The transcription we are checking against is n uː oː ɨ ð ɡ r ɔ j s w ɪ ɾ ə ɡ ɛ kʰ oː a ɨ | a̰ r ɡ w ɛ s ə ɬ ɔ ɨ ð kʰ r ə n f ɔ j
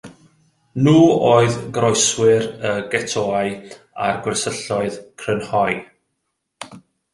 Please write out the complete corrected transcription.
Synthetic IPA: n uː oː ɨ ð ɡ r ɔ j s w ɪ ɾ ə ɡ ɛ tʰ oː a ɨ | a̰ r ɡ w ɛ s ə ɬ ɔ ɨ ð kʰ r ə n h ɔ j